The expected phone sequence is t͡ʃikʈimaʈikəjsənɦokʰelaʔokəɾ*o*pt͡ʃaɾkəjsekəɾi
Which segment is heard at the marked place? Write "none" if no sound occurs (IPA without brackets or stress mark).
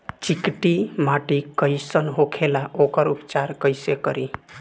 u